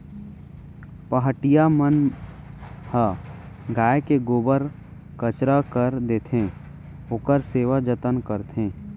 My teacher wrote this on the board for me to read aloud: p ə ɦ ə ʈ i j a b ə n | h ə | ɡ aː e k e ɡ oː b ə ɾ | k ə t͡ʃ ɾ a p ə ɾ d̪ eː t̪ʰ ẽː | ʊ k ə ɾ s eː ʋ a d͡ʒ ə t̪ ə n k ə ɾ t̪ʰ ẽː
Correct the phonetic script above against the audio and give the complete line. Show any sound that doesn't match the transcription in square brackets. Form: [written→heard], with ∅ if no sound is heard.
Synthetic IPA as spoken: p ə ɦ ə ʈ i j a [b→m] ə n | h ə | ɡ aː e k e ɡ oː b ə ɾ | k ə t͡ʃ ɾ a [p→k] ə ɾ d̪ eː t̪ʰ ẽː | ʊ k ə ɾ s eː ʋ a d͡ʒ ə t̪ ə n k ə ɾ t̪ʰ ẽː